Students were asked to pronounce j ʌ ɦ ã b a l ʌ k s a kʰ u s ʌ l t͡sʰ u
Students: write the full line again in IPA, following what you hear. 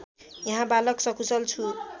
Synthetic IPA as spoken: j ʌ ɦ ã b a l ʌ k s ʌ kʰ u s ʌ l t͡sʰ u